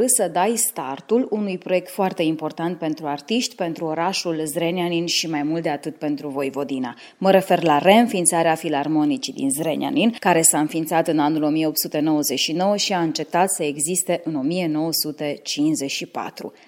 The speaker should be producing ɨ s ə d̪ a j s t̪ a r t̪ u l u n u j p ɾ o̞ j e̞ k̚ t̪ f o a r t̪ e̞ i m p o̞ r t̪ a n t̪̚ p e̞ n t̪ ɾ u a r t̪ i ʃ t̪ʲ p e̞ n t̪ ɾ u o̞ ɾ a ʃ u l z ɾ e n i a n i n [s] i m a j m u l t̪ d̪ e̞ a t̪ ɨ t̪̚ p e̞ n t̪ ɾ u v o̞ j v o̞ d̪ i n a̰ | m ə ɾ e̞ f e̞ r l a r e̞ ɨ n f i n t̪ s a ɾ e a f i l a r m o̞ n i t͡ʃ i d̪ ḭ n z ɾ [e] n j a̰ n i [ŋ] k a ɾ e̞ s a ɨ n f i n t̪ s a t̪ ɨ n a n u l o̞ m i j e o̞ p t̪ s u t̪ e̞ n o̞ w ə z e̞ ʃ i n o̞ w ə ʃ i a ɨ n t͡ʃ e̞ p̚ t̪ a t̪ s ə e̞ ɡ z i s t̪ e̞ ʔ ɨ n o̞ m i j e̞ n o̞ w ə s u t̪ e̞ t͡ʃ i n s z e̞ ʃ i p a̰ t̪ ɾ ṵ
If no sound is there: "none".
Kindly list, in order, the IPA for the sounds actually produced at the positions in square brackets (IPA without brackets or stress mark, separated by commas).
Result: ʃ, e, n